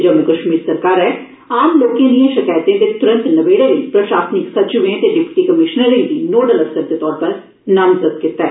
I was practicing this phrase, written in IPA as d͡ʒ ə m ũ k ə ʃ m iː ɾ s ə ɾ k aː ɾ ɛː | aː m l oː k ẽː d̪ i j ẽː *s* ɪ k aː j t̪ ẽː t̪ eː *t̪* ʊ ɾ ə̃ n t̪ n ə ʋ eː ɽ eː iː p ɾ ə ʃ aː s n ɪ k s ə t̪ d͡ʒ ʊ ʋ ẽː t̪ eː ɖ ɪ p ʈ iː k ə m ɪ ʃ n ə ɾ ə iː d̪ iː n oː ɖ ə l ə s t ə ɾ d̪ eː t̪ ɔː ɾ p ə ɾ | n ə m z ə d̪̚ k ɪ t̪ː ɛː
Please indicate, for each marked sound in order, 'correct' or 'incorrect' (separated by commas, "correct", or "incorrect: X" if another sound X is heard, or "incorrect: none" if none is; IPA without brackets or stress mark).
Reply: incorrect: ʃ, correct